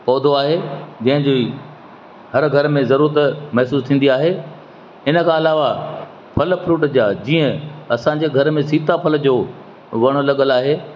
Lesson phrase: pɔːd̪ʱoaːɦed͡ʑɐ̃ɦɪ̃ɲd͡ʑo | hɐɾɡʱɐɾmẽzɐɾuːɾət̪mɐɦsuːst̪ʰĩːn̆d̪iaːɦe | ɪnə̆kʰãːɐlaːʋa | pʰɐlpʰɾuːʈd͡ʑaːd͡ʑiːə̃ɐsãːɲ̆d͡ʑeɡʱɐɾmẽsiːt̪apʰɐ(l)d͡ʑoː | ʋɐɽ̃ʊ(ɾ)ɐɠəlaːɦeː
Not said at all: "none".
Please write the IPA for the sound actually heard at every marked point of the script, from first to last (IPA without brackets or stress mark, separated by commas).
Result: l, l